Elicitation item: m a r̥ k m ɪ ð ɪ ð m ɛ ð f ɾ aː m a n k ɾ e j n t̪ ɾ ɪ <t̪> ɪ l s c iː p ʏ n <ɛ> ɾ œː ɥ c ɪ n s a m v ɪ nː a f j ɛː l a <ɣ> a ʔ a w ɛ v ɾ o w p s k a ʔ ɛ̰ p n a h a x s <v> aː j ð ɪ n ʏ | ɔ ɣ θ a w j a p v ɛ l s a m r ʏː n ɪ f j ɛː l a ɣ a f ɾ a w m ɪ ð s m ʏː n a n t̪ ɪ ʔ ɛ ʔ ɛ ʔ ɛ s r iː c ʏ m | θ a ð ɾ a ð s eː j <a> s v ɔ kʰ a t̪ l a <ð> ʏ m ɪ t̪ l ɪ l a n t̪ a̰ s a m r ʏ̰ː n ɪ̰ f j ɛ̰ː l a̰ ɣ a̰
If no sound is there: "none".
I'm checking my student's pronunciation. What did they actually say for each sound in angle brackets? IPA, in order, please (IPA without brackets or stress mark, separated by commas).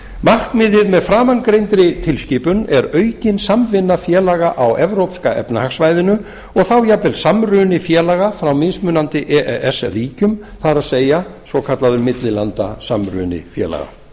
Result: t̪ʰ, ɛ, ɣ, v, a, ð